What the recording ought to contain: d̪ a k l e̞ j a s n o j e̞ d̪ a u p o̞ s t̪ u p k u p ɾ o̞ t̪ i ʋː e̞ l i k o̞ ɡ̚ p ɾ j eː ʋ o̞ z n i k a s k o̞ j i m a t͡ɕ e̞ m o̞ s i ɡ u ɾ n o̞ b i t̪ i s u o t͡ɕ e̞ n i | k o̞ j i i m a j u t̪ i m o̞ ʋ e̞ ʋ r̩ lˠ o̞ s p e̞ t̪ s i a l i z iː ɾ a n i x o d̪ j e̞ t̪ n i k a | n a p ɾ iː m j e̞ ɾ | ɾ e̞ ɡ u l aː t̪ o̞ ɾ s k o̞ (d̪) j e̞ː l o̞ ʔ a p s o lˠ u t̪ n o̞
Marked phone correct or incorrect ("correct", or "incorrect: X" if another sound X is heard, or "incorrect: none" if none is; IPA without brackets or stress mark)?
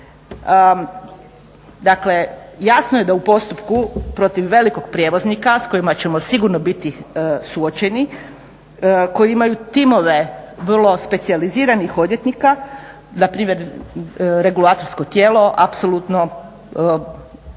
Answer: incorrect: t̪